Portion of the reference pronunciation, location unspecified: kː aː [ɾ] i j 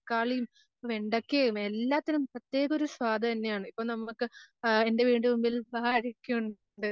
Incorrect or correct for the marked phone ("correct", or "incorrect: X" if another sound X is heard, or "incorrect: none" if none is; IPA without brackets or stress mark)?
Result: incorrect: ɭ